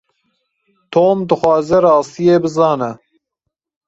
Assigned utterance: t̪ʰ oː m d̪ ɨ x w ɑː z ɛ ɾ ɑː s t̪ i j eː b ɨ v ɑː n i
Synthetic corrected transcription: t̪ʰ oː m d̪ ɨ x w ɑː z ɛ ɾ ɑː s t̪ i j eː b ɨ z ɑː n ɛ